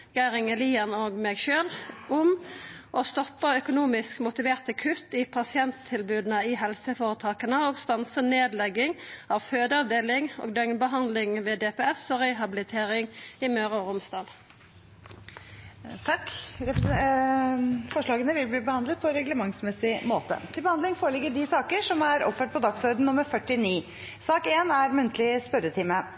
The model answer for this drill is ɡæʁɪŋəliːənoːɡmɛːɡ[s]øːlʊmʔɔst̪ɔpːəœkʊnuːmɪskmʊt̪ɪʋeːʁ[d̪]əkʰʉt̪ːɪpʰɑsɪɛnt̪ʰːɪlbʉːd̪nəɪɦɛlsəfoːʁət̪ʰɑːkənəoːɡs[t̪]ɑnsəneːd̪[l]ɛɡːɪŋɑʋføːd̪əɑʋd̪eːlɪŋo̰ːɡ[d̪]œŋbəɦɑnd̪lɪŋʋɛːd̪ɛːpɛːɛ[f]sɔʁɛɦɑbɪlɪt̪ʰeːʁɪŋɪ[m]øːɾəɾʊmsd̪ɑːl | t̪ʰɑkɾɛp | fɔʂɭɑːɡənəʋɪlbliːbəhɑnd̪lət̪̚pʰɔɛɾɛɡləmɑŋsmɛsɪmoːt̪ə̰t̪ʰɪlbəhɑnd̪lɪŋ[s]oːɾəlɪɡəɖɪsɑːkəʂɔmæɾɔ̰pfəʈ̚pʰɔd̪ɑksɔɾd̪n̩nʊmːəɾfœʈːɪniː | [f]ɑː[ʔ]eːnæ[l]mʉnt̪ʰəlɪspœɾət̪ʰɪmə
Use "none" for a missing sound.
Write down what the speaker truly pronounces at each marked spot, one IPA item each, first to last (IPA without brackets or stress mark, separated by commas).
ʃ, t̪, t̪, l, d̪, f, m, f, s, k, ɾ